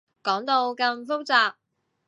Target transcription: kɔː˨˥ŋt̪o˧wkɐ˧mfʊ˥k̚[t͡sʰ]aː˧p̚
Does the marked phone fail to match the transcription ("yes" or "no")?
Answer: yes